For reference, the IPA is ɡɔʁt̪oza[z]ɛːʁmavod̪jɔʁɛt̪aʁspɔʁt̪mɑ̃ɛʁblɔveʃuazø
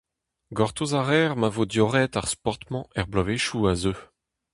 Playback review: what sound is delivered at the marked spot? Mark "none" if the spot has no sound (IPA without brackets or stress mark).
ʁ